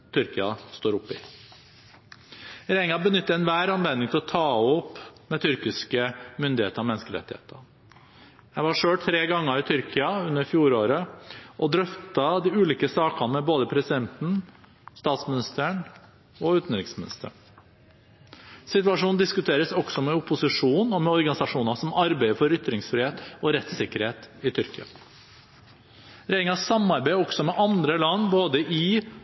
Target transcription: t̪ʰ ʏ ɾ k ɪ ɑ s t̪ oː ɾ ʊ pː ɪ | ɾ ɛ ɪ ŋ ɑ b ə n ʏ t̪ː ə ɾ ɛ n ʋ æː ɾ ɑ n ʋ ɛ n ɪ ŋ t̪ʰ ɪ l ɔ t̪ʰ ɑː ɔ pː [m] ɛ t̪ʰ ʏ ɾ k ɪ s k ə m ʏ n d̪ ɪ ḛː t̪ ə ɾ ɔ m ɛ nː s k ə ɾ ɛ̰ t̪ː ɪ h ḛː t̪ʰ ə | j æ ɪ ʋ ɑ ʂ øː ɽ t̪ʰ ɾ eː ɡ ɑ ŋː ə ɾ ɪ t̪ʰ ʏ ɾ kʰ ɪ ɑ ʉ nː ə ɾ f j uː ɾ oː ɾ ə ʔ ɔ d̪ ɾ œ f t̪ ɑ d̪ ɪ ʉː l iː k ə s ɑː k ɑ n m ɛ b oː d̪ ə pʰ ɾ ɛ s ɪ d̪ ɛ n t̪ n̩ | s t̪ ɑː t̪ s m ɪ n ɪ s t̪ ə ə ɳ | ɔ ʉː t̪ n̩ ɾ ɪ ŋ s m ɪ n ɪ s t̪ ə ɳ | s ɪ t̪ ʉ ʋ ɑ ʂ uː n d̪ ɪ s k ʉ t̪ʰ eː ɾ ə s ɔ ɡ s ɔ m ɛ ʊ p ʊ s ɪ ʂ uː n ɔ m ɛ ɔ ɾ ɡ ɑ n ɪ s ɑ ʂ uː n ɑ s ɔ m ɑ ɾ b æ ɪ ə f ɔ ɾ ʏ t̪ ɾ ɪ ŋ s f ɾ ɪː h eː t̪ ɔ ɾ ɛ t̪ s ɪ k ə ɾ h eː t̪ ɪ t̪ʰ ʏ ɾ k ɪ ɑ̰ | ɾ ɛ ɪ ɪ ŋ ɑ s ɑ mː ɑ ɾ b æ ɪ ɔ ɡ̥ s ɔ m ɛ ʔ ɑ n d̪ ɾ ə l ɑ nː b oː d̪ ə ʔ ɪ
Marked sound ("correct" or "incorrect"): correct